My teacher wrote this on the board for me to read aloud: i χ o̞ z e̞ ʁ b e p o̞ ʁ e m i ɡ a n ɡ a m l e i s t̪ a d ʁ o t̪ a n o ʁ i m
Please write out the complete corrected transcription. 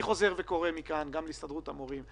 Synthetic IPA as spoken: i χ o̞ z e̞ ʁ v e k o̞ ʁ e m i k a n ɡ a m l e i s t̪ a d ʁ u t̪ a m o ʁ i m